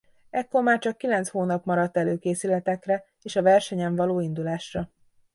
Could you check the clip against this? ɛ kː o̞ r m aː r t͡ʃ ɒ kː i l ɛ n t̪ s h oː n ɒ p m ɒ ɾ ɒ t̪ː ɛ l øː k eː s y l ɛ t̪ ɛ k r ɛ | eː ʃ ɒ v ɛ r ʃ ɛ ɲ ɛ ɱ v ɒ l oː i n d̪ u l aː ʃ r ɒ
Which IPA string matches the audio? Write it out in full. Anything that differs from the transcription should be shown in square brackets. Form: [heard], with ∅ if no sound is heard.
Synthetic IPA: ɛ kː o̞ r m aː r t͡ʃ ɒ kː i l ɛ n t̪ s h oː n ɒ p m ɒ ɾ ɒ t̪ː ɛ l øː k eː s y l ɛ t̪ ɛ k r ɛ | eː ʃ ɒ v ɛ r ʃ ɛ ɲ ɛ ɱ v ɒ l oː i n d̪ u l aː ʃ r ɒ